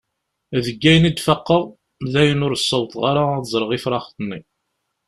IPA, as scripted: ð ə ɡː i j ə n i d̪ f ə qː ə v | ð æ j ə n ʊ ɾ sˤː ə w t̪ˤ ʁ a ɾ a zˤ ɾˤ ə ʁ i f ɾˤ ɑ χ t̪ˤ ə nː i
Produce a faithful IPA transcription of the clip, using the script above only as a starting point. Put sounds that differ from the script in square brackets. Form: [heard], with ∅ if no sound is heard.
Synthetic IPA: ð ə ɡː [æ] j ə n i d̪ f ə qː ə [ʁ] | ð æ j ə n ʊ ɾ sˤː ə w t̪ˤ ʁ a ɾ a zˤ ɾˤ ə ʁ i f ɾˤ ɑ χ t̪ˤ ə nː i